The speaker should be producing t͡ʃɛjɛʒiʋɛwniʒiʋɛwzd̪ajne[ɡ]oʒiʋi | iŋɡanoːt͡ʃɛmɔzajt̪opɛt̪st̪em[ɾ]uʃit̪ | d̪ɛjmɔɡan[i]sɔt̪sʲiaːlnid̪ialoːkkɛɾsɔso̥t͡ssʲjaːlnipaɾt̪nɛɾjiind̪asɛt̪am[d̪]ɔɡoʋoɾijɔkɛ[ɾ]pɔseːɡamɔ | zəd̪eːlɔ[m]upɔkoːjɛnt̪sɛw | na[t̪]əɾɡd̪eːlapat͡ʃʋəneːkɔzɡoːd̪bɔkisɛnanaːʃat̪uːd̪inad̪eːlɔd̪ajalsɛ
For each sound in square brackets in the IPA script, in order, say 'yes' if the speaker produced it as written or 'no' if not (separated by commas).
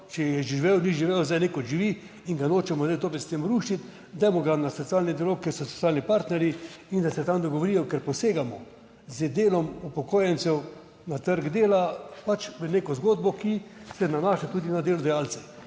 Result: no, yes, no, yes, yes, yes, yes